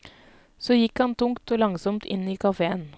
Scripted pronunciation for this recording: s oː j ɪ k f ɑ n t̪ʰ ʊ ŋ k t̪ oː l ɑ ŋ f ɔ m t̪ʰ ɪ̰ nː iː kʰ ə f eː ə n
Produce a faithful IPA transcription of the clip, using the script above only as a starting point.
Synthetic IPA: s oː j ɪ k h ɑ n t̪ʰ ʊ ŋ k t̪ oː l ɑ ŋ s ɔ m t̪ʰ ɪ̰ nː iː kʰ ɑ f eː ə n